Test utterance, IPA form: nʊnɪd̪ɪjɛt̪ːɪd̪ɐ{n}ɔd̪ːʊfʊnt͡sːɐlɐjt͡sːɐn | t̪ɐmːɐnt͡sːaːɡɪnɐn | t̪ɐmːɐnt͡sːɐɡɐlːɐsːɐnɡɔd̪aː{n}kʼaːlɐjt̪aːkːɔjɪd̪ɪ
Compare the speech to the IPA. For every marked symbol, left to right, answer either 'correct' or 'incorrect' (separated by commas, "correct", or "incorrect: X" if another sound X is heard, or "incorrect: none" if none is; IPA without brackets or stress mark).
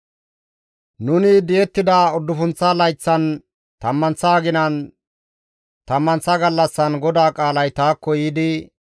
incorrect: none, incorrect: none